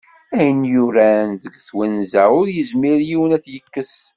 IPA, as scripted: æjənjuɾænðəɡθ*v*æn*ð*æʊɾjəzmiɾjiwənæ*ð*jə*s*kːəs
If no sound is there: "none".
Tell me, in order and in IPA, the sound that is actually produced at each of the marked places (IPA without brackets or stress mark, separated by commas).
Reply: w, z, θ, none